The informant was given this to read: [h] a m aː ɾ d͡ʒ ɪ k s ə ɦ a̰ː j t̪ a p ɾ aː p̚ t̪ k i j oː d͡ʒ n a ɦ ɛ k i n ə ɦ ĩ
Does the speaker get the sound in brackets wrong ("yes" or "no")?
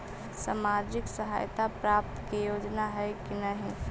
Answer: yes